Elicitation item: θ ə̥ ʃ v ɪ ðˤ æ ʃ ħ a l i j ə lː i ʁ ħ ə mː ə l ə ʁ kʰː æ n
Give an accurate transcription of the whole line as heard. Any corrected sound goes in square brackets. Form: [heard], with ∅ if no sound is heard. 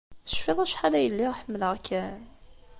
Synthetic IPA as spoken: θ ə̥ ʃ [f] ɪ ðˤ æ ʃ ħ a l [æ] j ə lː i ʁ ħ ə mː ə l ə ʁ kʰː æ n